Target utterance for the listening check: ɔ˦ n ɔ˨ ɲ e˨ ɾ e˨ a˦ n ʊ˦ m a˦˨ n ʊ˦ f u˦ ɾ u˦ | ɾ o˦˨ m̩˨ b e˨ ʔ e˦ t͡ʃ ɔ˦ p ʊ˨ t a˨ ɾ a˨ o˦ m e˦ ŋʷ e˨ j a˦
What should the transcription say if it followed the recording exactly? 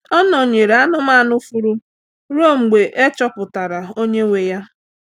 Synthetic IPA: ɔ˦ n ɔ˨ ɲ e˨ ɾ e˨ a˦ n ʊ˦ m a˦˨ n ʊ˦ f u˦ ɾ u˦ | ɾ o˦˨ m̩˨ ɡ͡b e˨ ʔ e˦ t͡ʃ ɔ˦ p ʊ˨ t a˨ ɾ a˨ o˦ ɲ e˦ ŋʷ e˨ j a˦